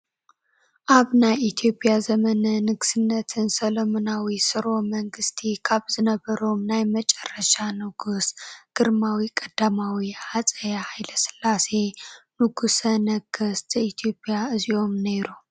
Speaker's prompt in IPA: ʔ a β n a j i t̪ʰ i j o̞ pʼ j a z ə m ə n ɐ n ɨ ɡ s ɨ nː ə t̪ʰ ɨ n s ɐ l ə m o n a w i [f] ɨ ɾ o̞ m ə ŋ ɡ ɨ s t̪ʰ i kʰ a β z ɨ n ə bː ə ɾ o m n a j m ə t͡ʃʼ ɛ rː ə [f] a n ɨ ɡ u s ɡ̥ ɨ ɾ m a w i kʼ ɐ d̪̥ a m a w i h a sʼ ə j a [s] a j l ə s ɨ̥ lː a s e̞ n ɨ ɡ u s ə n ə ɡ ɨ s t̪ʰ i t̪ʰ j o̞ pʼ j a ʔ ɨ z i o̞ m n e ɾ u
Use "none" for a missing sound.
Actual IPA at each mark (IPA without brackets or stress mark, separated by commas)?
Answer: s, ʃ, h